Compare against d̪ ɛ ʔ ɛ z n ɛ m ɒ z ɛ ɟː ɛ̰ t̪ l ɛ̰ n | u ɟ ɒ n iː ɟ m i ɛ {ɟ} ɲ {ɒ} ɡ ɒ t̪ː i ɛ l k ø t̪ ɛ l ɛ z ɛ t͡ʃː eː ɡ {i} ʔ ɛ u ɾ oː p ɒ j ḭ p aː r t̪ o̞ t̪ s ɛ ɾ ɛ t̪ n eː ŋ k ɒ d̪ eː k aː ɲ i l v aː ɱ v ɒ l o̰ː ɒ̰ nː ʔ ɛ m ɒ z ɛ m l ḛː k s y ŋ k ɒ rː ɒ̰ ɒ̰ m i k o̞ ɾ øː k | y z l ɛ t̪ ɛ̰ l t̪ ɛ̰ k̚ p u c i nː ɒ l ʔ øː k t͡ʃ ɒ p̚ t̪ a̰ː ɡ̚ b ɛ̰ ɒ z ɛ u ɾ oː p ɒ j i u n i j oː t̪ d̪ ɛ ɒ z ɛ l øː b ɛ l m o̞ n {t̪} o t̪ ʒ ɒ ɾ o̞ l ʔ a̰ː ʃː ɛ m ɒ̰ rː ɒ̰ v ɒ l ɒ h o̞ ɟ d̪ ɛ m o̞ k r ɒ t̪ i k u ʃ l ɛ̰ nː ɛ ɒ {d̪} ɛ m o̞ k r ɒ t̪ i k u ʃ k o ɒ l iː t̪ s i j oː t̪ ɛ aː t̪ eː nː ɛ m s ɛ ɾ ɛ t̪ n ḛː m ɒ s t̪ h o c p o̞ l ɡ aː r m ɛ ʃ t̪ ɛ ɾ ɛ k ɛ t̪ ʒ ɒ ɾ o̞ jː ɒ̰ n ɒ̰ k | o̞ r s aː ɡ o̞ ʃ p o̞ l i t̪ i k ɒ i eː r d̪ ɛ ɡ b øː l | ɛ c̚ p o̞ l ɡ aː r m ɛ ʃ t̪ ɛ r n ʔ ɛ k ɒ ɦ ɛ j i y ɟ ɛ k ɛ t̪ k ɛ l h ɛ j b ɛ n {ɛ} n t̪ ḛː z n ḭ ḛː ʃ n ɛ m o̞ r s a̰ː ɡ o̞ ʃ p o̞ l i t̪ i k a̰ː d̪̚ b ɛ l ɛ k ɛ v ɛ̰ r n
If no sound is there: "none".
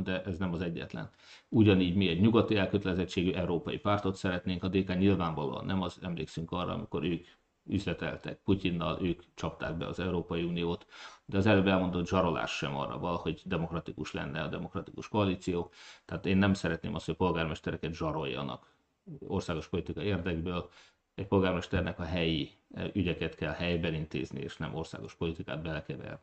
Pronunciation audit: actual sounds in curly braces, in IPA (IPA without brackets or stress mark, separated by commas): ɟ, u, y, d̪, d̪, i